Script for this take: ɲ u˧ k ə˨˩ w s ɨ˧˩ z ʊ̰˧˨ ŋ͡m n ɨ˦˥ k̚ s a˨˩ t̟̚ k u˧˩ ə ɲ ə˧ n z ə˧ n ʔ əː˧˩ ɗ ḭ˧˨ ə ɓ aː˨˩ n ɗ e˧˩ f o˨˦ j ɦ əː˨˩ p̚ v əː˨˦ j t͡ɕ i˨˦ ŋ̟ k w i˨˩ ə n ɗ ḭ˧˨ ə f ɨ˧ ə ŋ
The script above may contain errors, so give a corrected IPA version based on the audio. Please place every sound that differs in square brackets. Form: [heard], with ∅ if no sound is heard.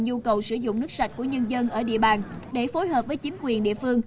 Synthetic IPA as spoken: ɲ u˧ k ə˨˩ w s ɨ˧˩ z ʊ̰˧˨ ŋ͡m n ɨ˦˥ k̚ s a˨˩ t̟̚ k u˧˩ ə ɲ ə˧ n z ə˧ n ʔ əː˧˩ ɗ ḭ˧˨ ə ɓ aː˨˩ n ɗ e˧˩ f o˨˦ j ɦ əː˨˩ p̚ v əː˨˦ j t͡ɕ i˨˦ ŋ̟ k w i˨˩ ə n ɗ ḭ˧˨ ə f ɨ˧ ə ŋ